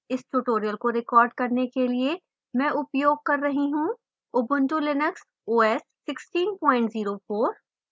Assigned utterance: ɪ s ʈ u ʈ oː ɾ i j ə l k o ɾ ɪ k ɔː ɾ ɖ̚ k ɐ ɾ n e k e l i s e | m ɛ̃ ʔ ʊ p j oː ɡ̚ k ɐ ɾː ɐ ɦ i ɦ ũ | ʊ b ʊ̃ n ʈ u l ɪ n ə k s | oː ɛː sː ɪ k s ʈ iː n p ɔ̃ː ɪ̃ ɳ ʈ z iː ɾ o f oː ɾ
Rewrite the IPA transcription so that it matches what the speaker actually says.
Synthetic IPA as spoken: ɪ s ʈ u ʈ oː ɾ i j ə l k o ɾ ɪ k ɔː ɾ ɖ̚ k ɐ ɾ n e k e l i e | m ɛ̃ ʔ ʊ p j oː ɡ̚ k ɐ ɾː ɐ ɦ i ɦ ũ | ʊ b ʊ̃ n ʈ u l ɪ n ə k s | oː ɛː sː ɪ k s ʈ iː n p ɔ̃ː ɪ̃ ɳ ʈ z iː ɾ o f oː ɾ